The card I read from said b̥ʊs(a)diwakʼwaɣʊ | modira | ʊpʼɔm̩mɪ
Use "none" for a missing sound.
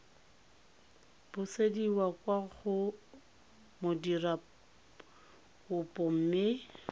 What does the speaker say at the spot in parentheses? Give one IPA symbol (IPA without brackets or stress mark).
e